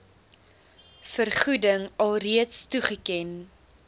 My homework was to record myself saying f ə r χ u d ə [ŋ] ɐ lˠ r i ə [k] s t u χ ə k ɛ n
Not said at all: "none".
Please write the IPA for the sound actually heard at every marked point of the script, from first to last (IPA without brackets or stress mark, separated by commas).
ŋ, t